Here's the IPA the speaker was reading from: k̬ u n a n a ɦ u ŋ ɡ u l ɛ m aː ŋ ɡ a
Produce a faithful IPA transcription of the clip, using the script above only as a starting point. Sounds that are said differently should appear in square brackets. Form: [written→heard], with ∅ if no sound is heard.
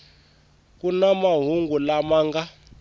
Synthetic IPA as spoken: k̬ u n a [n→m] a ɦ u ŋ ɡ u l [ɛ→a] m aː ŋ ɡ a